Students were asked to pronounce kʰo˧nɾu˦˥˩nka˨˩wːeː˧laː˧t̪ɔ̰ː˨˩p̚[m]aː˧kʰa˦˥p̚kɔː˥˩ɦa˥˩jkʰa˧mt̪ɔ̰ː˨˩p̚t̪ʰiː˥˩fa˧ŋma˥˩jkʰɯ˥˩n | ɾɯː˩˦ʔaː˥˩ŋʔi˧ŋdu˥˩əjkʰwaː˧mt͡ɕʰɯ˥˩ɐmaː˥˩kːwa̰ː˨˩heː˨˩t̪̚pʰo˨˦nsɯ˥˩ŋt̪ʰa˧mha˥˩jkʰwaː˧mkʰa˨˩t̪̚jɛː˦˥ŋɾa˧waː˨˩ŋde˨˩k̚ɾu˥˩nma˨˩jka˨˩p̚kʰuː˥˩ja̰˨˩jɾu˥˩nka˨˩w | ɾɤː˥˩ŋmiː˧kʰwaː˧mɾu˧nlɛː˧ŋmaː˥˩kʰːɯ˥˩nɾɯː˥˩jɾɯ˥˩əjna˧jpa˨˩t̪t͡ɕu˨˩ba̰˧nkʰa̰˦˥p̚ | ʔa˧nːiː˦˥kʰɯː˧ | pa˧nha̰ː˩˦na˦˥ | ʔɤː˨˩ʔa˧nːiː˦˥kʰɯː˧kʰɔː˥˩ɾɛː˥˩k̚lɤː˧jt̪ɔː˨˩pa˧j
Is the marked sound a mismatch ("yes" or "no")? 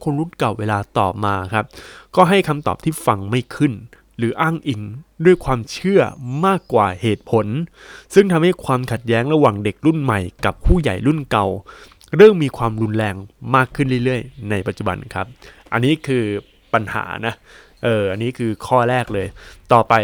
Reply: no